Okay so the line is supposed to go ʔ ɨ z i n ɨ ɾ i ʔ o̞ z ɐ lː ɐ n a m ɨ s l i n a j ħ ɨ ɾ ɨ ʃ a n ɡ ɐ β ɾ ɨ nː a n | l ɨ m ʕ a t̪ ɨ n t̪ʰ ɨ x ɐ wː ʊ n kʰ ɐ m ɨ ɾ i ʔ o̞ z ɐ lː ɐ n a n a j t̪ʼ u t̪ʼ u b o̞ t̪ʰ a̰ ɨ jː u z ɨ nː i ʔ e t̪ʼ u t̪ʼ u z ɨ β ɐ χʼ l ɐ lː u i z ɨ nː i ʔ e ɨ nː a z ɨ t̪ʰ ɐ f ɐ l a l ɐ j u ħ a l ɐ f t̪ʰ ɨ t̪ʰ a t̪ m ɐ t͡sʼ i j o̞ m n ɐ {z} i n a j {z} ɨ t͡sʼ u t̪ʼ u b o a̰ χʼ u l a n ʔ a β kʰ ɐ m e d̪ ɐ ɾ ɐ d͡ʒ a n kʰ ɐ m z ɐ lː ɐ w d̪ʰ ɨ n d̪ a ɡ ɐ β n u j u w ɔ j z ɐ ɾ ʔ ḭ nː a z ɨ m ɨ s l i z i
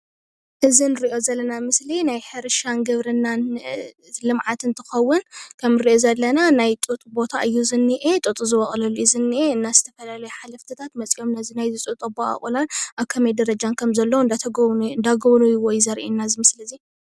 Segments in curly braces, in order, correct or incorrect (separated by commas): correct, correct